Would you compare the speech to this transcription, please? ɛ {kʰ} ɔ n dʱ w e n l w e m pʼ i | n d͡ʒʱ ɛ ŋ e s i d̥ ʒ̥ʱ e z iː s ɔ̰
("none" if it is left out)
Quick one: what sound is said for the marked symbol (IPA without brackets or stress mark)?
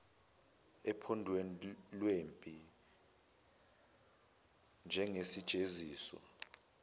pʰ